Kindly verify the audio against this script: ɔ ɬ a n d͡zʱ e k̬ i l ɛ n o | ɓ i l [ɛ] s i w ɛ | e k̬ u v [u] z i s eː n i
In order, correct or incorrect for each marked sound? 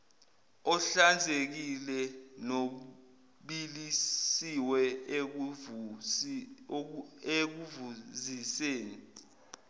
incorrect, correct

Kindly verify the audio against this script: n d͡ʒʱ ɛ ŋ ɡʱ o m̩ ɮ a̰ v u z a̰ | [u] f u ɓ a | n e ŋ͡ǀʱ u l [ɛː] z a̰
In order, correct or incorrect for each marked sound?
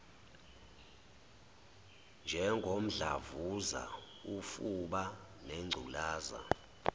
correct, incorrect

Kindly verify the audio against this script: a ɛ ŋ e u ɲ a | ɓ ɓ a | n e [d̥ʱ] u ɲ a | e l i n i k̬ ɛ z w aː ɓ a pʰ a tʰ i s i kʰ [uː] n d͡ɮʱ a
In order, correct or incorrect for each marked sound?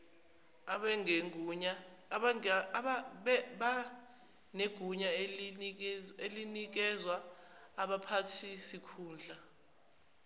incorrect, correct

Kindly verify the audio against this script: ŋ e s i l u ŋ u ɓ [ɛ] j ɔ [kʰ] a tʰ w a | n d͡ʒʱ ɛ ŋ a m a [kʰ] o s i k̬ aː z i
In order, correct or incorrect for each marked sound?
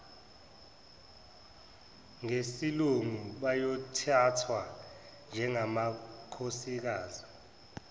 incorrect, incorrect, correct

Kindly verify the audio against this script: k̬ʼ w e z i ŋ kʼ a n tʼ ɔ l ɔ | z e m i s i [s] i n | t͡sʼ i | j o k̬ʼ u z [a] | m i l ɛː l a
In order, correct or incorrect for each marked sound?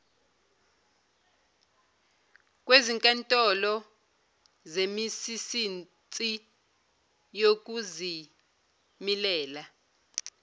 correct, incorrect

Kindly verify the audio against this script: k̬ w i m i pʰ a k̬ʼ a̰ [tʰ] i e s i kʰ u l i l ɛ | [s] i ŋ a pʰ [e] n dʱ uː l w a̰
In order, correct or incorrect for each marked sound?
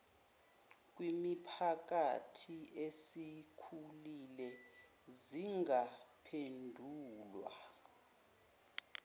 correct, incorrect, correct

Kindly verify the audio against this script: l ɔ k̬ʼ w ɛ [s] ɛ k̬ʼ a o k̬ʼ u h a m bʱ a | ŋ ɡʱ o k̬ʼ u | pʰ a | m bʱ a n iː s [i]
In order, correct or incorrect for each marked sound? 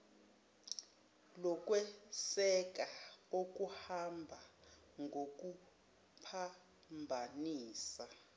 correct, incorrect

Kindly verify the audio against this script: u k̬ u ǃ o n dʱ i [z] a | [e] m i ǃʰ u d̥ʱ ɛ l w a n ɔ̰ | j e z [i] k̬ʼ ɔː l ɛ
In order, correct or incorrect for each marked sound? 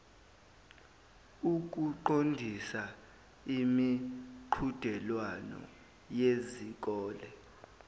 incorrect, incorrect, correct

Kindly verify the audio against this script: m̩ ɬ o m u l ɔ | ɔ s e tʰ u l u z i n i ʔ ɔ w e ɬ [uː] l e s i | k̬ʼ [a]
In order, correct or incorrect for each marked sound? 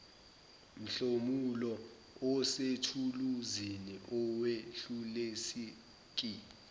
incorrect, incorrect

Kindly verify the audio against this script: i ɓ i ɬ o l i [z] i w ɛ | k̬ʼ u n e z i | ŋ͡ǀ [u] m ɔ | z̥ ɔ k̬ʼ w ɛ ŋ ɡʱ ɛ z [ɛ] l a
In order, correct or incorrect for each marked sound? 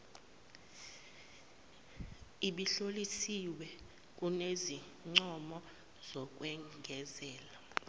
incorrect, incorrect, incorrect

